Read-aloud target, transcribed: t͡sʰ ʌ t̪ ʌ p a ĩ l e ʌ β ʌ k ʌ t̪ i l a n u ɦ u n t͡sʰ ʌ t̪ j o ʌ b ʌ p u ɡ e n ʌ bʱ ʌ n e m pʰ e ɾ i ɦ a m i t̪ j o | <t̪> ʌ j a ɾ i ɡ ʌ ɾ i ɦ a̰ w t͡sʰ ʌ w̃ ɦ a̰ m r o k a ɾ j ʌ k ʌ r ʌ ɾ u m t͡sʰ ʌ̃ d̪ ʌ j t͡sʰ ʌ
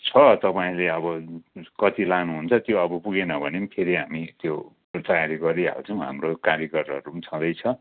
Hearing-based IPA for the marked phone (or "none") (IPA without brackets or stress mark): t̪